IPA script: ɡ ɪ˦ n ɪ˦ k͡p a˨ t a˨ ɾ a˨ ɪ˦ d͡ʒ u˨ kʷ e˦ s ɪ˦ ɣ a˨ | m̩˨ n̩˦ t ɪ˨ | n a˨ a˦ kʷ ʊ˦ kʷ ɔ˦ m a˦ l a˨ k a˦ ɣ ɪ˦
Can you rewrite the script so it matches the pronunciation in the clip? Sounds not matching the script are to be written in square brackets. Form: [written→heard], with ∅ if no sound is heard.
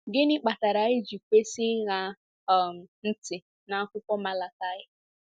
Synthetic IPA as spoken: ɡ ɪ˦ n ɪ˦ k͡p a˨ t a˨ ɾ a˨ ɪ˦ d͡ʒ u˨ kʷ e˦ s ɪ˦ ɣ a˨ | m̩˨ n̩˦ t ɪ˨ | n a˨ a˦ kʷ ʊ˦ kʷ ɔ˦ m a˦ l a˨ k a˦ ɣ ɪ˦